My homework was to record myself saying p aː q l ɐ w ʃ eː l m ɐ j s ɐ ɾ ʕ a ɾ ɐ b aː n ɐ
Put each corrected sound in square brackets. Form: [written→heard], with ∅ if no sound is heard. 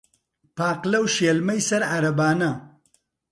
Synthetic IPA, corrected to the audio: p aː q l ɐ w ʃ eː l m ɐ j s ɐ ɾ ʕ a ɾ ɐ b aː n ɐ